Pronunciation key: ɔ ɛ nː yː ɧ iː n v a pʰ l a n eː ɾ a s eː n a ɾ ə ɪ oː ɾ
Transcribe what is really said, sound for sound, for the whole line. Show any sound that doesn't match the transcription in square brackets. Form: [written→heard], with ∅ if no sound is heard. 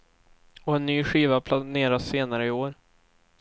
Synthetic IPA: ɔ ɛ nː yː ɧ iː [n→∅] v a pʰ l a n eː ɾ a s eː n a ɾ ə ɪ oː ɾ